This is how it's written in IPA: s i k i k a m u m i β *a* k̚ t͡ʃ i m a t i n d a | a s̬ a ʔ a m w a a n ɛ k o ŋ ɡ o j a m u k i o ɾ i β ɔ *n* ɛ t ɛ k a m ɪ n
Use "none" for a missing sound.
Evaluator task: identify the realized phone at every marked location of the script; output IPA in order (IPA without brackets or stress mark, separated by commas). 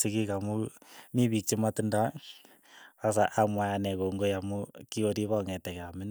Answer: i, ŋ